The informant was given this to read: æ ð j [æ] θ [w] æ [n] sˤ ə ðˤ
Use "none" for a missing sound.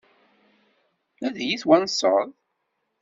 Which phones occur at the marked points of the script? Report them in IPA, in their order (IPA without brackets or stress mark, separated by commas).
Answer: i, w, n